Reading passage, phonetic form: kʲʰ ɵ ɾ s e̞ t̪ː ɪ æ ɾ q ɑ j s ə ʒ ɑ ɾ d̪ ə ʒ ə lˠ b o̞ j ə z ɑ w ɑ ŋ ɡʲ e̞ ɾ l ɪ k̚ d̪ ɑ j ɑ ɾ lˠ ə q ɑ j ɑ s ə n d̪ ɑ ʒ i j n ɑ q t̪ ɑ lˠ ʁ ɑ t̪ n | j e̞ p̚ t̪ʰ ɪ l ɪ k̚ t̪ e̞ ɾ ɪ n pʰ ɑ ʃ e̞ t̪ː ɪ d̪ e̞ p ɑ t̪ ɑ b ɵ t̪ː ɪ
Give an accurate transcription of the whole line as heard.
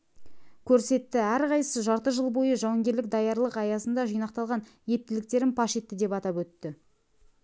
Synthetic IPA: kʲʰ ɵ ɾ s e̞ t̪ː ɪ æ ɾ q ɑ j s ə ʒ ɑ ɾ t̪ ə ʒ ə lˠ b o̞ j ə ʒ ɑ w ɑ ŋ ɡʲ e̞ ɾ l ɪ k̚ d̪ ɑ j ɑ ɾ lˠ ə q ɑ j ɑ s ə n d̪ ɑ ʒ i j n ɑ q t̪ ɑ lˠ ʁ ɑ n | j e̞ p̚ t̪ ɪ l ɪ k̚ t̪ e̞ ɾ ɪ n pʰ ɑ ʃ e̞ t̪ː ɪ d̪ e̞ p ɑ t̪ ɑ p ɵ t̪ː ɪ